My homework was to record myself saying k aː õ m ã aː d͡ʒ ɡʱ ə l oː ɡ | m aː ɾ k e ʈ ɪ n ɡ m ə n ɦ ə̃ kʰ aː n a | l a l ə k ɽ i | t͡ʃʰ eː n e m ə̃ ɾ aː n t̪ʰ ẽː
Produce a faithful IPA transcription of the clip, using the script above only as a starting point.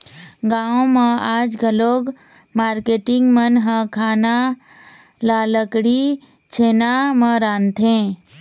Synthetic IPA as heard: ɡ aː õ m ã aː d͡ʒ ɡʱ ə l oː ɡ | m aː ɾ k e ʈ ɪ ŋ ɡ m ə n ɦ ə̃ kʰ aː n a | l a l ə k ɽ i | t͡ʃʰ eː n a m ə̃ ɾ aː n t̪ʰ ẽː